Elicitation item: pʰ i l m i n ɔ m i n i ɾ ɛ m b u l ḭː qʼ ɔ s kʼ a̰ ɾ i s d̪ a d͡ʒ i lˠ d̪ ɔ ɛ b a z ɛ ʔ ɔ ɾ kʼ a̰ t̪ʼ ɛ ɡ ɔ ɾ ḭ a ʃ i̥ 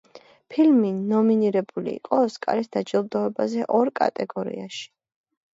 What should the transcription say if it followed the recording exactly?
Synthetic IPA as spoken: pʰ i l m i n ɔ m i n i ɾ ɛ b u l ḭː qʼ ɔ s kʼ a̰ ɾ i s d̪ a d͡ʒ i lˠ d̪ ɔ ɛ b a z ɛ ʔ ɔ ɾ kʼ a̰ t̪ʼ ɛ ɡ ɔ ɾ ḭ a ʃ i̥